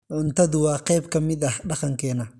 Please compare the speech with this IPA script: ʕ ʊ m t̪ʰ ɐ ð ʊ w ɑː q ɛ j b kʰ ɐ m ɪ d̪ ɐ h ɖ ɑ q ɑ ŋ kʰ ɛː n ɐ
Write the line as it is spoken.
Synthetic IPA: ʕ ʊ n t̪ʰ ɐ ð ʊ w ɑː q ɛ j b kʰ ɐ m ɪ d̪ ɐ h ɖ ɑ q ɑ ŋ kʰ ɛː n ɐ